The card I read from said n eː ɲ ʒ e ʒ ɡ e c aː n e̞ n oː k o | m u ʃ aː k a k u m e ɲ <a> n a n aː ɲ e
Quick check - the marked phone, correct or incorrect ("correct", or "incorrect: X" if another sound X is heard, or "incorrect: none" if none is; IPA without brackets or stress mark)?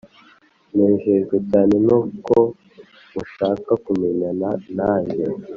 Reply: correct